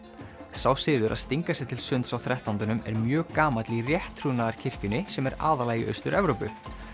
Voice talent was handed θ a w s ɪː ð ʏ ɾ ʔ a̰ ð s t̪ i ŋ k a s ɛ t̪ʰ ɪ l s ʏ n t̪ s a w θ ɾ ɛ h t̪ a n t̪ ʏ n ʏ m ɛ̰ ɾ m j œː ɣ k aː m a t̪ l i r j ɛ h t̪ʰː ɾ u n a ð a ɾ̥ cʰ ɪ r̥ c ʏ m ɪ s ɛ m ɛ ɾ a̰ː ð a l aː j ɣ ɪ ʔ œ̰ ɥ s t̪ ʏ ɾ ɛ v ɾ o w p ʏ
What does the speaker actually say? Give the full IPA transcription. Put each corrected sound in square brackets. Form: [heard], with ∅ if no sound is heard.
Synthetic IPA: [s] a w s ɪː ð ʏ ɾ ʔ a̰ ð s t̪ i ŋ k a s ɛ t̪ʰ ɪ l s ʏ n t̪ s a w θ ɾ ɛ h t̪ a n t̪ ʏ n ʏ m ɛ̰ ɾ m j œː ɣ k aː m a t̪ l i r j ɛ h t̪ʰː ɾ u n a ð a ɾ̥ cʰ ɪ r̥ c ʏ [n] ɪ s ɛ m ɛ ɾ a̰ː ð a l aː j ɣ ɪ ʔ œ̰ ɥ s t̪ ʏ ɾ ɛ v ɾ o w p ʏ